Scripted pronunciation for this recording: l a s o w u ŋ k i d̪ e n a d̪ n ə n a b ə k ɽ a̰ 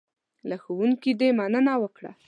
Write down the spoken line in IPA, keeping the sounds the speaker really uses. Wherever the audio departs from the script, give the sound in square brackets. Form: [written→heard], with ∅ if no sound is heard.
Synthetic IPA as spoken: l a [s→x] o w u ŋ k i d̪ e [n→m] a [d̪→∅] n ə n a [b→w] ə k ɽ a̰